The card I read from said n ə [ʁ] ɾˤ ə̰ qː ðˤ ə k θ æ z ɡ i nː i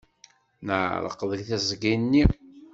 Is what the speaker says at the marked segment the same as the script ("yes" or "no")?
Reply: no